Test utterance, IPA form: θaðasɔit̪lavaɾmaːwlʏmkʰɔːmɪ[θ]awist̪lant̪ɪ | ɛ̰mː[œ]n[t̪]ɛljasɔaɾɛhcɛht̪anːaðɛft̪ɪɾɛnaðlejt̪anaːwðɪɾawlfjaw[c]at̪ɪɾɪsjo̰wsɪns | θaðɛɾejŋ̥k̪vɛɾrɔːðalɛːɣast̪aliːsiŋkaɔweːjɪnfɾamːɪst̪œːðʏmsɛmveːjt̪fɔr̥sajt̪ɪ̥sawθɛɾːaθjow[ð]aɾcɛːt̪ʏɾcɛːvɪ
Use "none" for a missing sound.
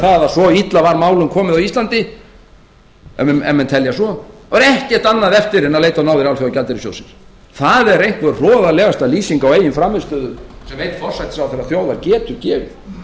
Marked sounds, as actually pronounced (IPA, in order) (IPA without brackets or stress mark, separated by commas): ð, ɛ, t̪ʰ, c, ð